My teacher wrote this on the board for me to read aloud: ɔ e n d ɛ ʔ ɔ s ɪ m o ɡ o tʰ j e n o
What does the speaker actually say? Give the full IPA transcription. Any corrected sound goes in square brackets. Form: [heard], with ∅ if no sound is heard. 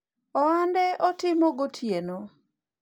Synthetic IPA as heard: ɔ [a] n d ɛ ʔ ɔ [t] ɪ m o ɡ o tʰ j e n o